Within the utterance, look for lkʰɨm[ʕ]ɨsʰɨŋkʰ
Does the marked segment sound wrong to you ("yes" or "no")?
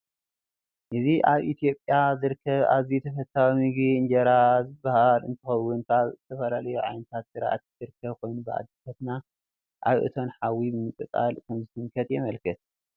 yes